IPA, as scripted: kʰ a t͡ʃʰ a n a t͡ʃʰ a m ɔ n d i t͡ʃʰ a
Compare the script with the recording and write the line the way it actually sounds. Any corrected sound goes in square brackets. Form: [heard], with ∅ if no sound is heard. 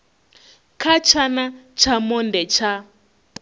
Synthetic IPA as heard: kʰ a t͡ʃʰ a n a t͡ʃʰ a m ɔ n d [ɛ] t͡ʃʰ a